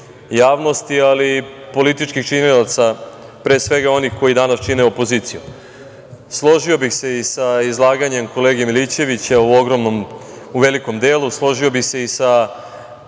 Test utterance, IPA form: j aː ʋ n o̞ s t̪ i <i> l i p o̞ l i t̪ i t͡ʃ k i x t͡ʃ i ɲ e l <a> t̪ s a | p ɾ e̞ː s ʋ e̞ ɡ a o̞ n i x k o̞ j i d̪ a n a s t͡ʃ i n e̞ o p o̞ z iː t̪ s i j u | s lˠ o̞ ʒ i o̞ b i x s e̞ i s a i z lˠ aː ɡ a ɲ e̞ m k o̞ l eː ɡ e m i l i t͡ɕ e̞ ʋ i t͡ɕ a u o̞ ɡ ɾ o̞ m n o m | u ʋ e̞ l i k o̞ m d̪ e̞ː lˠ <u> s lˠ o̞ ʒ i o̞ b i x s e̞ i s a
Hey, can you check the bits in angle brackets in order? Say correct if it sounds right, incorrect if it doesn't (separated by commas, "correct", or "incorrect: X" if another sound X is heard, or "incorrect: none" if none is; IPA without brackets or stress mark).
incorrect: a, correct, correct